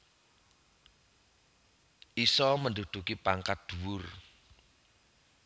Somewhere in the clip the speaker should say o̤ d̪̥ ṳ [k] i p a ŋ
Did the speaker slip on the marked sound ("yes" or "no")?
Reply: no